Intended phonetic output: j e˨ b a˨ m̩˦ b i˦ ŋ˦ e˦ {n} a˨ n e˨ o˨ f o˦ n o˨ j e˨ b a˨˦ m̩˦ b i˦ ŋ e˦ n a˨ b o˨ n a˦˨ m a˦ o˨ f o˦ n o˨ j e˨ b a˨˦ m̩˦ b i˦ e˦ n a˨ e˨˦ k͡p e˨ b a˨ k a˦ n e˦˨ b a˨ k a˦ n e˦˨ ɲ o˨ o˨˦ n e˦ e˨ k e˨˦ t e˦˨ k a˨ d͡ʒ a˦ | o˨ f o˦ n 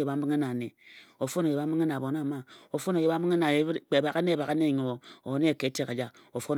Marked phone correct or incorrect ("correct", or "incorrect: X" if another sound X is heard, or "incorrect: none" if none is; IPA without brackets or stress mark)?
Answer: correct